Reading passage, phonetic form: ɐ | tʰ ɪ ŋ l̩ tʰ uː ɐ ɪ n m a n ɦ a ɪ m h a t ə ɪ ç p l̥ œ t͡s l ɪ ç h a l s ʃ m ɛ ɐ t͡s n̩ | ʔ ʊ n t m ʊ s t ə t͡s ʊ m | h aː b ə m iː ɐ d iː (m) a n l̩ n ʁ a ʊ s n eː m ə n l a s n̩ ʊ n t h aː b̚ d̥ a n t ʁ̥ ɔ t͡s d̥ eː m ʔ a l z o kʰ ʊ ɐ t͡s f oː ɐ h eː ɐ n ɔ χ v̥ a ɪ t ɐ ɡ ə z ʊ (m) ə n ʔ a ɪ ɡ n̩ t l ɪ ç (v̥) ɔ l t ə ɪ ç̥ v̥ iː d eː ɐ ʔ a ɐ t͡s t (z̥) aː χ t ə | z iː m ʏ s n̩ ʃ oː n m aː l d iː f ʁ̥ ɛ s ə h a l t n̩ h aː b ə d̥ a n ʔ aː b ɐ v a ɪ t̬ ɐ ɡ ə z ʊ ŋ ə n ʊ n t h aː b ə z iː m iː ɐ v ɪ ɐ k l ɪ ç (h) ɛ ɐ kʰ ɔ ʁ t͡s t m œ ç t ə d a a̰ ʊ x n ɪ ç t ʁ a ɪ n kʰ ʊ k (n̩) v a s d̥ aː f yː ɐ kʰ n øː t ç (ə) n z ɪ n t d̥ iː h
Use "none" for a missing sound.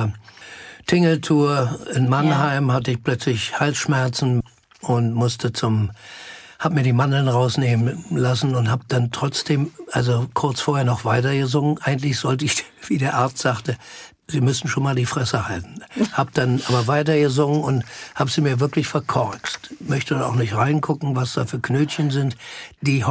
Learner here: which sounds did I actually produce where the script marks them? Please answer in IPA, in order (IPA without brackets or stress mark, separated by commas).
m, ŋ, z̥, z̥, f, ŋ̩, ə